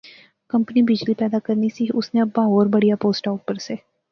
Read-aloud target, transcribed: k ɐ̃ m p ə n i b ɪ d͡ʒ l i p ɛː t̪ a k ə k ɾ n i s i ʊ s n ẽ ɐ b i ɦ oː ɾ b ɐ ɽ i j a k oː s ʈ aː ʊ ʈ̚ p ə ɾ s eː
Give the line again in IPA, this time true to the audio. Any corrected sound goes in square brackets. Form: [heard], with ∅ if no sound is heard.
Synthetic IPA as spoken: k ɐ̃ m p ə n i b ɪ d͡ʒ l i p ɛː [d̪] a k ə [∅] ɾ n i s i ʊ s n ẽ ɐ b [a] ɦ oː ɾ b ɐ ɽ i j a [p] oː s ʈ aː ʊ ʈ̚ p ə ɾ s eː